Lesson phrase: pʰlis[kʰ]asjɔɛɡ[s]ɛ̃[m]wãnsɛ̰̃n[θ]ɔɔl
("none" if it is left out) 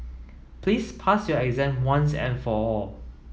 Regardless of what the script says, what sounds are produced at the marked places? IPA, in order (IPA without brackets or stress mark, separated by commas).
pʰ, z, n, f